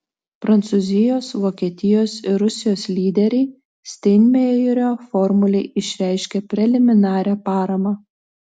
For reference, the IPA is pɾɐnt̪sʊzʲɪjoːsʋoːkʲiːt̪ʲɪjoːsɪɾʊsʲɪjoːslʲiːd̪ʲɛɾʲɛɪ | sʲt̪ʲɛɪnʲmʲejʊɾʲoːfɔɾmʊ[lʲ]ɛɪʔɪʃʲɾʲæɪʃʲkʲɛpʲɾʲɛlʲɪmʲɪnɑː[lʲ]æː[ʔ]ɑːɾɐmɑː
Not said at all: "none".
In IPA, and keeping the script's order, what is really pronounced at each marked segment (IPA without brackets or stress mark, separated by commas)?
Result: lʲ, ɾʲ, p